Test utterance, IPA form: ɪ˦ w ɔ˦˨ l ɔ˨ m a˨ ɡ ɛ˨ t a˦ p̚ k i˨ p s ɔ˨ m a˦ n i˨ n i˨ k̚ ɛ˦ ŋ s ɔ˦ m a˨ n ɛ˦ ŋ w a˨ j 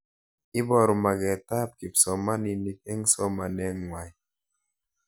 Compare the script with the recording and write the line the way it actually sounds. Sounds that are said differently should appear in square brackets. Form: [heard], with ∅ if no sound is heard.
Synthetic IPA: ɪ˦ [b] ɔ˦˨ [ɾ] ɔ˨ m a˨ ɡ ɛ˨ t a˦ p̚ k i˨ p s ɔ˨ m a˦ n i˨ n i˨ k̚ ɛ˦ ŋ s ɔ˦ m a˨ n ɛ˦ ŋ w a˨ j